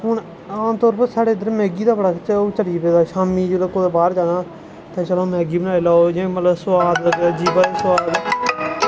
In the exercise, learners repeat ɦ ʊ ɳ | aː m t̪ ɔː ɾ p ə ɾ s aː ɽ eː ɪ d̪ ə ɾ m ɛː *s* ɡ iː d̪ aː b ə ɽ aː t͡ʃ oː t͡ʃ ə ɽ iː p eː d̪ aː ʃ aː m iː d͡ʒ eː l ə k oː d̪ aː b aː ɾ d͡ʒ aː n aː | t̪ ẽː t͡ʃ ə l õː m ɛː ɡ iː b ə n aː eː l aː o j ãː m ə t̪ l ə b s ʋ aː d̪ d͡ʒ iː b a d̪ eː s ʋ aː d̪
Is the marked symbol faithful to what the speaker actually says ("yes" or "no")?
no